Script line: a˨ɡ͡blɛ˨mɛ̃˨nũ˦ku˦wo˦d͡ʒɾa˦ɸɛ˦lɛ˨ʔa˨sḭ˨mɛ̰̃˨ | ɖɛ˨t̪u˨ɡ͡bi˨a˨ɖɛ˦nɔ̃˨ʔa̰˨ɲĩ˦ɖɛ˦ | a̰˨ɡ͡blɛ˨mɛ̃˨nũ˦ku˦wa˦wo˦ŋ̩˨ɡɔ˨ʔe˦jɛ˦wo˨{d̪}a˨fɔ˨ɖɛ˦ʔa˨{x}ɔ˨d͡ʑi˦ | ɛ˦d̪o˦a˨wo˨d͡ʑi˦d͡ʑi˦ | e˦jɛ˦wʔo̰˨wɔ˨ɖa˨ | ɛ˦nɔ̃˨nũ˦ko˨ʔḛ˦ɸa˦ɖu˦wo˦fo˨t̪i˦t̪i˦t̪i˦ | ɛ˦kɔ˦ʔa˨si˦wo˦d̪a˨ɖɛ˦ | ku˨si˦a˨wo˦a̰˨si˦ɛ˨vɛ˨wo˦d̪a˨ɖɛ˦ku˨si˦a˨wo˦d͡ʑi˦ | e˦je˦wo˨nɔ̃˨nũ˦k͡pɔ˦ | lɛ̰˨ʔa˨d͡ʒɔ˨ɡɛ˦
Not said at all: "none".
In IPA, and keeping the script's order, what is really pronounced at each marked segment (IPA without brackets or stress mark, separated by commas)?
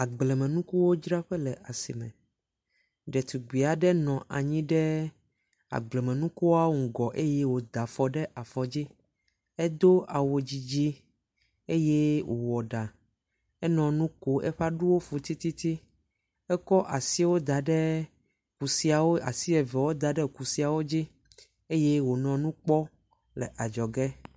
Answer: d̪, f